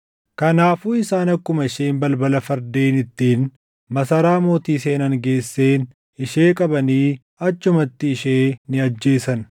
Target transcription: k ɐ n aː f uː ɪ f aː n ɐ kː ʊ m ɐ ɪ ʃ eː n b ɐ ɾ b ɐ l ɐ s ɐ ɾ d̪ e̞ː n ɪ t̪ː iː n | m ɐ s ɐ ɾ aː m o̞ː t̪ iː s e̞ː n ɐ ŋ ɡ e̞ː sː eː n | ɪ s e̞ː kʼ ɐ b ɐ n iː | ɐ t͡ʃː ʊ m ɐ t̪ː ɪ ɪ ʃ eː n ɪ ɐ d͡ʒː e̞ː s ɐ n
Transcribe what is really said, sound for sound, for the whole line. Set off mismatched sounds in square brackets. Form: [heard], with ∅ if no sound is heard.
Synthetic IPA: k ɐ n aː f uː ɪ [s] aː n ɐ kː ʊ m ɐ ɪ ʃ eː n b ɐ [l] b ɐ l ɐ [f] ɐ ɾ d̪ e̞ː n ɪ t̪ː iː n | m ɐ s ɐ ɾ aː m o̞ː t̪ iː s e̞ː n ɐ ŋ ɡ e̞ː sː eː n | ɪ [ʃ] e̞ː kʼ ɐ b ɐ n iː | ɐ t͡ʃː ʊ m ɐ t̪ː ɪ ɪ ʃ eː n ɪ ɐ d͡ʒː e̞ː s ɐ n